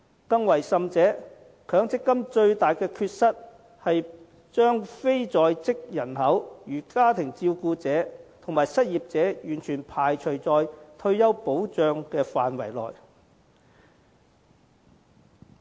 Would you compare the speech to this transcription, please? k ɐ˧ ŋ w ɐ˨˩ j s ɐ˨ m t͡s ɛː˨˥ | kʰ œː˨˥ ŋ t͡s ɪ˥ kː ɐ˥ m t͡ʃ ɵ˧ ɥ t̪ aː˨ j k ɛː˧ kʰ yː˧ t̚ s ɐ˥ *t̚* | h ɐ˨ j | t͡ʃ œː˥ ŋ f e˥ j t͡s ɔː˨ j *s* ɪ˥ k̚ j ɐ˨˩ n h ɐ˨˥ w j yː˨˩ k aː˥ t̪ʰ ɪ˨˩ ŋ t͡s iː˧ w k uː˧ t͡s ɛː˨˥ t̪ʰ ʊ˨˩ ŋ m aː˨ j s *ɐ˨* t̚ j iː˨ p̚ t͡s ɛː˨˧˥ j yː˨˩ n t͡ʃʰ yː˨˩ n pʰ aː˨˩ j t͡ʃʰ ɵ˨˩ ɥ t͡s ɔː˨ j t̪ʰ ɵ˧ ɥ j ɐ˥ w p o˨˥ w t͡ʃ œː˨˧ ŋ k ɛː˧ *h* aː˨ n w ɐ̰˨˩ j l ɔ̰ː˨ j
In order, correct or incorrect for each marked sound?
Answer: correct, incorrect: t͡s, incorrect: ɐ˥, incorrect: f

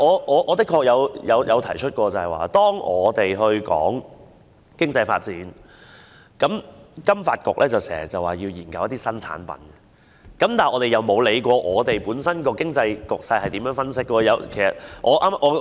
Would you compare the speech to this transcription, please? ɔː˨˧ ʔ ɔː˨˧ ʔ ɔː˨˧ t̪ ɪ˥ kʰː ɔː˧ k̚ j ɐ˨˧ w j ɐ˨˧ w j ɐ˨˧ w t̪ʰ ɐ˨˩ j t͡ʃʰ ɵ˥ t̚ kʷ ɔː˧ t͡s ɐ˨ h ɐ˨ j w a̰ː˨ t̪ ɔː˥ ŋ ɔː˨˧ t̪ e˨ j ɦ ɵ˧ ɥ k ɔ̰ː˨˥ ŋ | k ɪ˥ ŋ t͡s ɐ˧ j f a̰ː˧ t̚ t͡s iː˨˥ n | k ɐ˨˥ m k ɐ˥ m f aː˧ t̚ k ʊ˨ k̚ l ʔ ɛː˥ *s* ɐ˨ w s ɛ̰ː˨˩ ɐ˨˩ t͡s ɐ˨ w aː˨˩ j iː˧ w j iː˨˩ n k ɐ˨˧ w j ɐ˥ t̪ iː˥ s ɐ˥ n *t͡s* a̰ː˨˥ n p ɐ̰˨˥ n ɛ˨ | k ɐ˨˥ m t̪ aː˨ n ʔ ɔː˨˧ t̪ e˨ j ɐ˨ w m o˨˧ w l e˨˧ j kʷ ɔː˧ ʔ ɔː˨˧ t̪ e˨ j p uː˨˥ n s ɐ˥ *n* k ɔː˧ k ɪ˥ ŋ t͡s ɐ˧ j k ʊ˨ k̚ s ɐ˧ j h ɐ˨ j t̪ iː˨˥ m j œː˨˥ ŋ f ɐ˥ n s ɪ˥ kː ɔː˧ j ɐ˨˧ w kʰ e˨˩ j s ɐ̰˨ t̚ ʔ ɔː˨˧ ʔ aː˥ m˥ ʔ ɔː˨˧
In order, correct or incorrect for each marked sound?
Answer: incorrect: t͡s, incorrect: t͡sʰ, correct

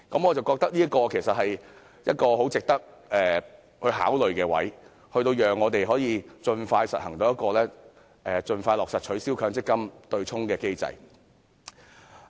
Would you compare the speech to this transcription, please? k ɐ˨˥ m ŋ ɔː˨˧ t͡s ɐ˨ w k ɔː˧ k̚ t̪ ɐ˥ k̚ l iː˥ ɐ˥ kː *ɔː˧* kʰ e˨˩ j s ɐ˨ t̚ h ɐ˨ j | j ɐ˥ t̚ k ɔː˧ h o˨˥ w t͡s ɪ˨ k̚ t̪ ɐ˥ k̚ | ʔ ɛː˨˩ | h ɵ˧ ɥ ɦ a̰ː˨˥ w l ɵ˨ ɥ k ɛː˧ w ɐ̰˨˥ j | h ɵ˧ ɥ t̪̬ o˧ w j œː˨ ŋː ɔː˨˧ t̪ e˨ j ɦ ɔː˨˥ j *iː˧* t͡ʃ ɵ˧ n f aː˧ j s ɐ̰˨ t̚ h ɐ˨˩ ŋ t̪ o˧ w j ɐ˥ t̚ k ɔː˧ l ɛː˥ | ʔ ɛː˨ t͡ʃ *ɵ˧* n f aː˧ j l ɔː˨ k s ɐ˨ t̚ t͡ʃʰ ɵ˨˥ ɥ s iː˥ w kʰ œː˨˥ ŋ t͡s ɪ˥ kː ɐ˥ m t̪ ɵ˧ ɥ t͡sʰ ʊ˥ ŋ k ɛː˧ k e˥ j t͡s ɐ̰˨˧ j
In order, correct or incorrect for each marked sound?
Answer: correct, correct, correct

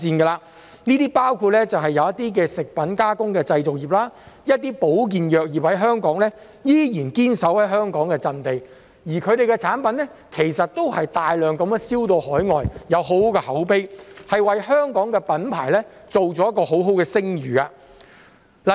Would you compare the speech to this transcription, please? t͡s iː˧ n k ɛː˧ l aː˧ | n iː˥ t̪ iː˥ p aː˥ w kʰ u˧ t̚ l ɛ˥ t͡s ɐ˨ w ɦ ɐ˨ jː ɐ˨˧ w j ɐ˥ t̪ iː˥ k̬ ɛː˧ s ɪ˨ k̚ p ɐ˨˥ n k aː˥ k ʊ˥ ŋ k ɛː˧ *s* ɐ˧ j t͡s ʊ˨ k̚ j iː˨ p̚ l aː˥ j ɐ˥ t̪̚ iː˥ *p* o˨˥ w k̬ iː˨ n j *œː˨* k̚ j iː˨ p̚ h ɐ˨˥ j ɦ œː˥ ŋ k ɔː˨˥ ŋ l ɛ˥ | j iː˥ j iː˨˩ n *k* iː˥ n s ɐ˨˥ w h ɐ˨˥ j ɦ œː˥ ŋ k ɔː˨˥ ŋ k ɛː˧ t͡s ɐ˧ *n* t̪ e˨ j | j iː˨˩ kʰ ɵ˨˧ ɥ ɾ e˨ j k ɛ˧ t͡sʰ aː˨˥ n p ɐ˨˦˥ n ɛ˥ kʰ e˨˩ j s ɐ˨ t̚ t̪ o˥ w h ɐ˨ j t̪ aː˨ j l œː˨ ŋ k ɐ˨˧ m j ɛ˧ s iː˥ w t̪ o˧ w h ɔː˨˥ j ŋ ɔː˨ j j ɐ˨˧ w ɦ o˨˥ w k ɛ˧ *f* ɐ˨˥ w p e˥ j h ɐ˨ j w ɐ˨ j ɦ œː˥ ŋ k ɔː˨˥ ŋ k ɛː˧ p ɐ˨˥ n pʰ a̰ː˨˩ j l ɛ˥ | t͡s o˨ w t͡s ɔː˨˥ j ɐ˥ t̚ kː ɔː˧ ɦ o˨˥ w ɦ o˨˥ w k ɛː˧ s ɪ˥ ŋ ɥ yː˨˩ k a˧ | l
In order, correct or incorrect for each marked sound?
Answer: incorrect: t͡s, correct, correct, correct, correct, incorrect: h

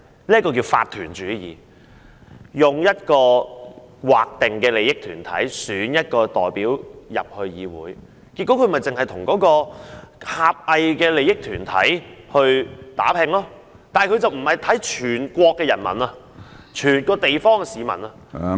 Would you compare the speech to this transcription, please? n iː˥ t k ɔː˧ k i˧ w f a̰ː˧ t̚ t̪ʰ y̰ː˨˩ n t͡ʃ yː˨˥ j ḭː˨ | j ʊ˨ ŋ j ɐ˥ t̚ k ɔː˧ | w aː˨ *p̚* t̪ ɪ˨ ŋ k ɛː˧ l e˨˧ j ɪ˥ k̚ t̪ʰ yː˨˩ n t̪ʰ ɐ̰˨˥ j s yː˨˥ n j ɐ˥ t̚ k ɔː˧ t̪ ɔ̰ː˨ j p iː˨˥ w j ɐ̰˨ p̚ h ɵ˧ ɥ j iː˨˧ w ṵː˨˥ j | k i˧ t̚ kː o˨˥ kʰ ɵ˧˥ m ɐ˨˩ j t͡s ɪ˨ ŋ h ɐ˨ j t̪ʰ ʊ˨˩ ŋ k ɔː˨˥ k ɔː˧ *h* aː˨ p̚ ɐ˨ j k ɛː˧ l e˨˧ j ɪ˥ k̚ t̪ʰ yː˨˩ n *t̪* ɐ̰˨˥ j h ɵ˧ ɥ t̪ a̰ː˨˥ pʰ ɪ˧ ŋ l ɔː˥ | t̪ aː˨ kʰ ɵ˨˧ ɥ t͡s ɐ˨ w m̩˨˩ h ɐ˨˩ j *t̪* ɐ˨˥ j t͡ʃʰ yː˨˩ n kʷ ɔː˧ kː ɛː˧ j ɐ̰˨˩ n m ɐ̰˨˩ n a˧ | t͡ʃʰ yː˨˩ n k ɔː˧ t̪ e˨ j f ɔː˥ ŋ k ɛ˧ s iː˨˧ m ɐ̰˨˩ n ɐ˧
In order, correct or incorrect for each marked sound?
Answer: incorrect: k̚, correct, incorrect: t̪ʰ, incorrect: t̪ʰ

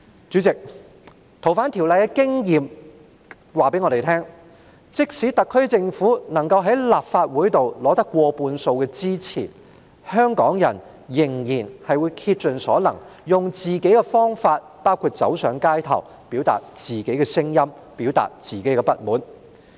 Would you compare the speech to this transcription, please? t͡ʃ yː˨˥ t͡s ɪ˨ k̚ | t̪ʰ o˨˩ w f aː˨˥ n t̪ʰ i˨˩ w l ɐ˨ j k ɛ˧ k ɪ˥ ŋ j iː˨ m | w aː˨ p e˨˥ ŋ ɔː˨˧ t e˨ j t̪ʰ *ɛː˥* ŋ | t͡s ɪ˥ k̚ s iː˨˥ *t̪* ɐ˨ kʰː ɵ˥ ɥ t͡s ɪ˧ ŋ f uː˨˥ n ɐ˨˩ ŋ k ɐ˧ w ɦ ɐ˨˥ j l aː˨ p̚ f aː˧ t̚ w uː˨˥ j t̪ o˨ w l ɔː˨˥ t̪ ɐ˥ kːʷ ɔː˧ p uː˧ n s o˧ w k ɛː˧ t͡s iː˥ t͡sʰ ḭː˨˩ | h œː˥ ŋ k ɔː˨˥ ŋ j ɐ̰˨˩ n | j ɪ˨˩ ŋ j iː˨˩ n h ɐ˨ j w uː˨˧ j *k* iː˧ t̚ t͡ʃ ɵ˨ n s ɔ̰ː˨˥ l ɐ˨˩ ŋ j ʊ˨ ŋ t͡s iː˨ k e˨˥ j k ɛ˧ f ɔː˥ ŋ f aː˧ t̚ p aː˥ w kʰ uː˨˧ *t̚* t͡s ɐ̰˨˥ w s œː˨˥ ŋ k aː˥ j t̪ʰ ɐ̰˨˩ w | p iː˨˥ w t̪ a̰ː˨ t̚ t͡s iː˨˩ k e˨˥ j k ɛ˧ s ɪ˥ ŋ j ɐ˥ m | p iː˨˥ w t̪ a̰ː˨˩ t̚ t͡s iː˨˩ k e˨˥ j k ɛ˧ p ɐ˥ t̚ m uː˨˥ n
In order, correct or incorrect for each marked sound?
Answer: correct, correct, incorrect: kʰ, correct

